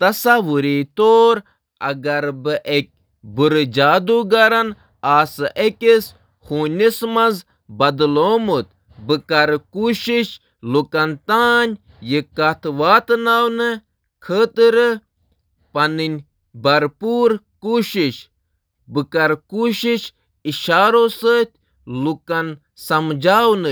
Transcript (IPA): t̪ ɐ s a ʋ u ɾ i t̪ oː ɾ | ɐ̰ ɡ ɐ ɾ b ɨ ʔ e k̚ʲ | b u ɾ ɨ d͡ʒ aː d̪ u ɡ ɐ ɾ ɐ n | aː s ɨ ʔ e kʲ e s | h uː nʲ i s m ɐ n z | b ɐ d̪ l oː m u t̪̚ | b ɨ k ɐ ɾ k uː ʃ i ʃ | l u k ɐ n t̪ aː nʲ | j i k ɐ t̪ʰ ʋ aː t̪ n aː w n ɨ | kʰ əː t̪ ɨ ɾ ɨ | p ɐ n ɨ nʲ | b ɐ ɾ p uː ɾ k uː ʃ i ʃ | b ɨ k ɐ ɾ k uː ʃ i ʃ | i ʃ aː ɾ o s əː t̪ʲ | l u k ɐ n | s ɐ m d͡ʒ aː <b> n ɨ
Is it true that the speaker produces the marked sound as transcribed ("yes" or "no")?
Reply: no